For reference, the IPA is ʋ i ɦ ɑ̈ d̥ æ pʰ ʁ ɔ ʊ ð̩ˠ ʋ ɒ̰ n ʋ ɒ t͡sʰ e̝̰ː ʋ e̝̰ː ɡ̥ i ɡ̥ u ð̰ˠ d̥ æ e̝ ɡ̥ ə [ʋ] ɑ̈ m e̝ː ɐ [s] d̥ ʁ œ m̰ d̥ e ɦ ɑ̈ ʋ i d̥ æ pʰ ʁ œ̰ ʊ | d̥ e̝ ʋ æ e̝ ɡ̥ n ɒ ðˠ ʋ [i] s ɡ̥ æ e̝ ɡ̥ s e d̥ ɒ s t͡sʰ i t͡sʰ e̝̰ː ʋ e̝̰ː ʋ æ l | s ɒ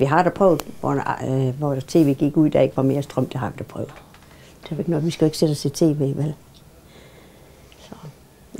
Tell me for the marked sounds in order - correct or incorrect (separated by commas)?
correct, correct, correct